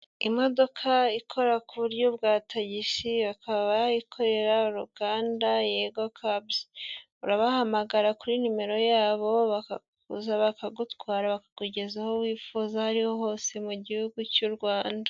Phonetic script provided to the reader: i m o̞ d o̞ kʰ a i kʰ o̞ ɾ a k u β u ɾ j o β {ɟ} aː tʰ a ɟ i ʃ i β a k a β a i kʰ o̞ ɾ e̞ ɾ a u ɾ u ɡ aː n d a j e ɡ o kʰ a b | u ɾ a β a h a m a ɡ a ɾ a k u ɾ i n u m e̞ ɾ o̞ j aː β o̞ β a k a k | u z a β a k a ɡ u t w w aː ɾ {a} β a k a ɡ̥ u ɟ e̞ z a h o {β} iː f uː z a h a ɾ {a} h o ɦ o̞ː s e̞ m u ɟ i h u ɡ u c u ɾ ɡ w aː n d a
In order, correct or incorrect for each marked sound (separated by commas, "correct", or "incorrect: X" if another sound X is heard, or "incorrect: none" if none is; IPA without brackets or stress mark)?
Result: incorrect: ɡ, correct, incorrect: w, incorrect: i